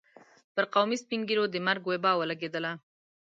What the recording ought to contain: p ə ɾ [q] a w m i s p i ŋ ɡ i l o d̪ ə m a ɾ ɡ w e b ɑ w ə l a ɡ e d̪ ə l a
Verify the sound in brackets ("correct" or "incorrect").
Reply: correct